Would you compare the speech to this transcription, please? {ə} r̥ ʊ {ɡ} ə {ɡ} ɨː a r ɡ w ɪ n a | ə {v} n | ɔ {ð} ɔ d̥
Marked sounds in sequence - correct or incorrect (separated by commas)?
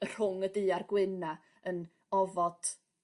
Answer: correct, incorrect, incorrect, incorrect, incorrect